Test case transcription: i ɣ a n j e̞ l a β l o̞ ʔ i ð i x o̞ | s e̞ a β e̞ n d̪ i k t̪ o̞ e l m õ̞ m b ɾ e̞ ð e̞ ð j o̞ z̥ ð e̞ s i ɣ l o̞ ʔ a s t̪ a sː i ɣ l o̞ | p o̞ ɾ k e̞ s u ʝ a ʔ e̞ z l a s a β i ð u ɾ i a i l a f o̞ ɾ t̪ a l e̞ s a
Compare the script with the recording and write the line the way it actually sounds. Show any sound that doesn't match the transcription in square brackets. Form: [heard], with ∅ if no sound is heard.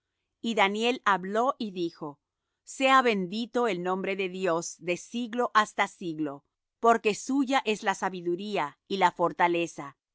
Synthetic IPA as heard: i [ð] a n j e̞ l a β l o̞ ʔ i ð i x o̞ | s e̞ a β e̞ n d̪ i [∅] t̪ o̞ e l [n] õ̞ m b ɾ e̞ ð e̞ ð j o̞ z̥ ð e̞ s i ɣ l o̞ ʔ a s t̪ a [s] i ɣ l o̞ | p o̞ ɾ k e̞ s u ʝ a ʔ e̞ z l a s a β i ð u ɾ i a i l a f o̞ ɾ t̪ a l e̞ s a